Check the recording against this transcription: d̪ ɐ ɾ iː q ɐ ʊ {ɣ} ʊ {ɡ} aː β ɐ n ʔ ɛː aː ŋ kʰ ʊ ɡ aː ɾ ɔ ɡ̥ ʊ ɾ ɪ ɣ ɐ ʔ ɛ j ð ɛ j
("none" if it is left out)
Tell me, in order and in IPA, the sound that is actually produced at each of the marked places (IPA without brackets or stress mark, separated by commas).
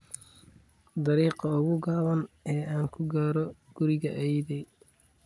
ɣ, ɡ